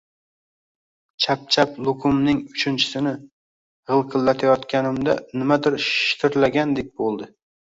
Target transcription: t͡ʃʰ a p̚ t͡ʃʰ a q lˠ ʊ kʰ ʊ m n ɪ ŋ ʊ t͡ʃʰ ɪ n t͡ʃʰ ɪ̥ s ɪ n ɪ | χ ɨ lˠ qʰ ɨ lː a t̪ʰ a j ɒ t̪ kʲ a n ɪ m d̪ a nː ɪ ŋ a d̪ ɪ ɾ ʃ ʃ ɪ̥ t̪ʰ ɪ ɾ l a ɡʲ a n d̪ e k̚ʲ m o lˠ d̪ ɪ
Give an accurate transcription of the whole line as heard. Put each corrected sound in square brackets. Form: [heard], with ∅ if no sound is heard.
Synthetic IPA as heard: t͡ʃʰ a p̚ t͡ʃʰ a [p] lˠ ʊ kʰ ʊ m n ɪ ŋ ʊ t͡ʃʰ ɪ n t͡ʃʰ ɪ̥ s ɪ n ɪ | [ʁ] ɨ lˠ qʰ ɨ lː a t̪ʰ a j ɒ t̪ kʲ a n ɪ m d̪ a [n] ɪ [m] a d̪ ɪ ɾ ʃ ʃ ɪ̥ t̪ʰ ɪ ɾ l a ɡʲ a n d̪ e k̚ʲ [b] o lˠ d̪ ɪ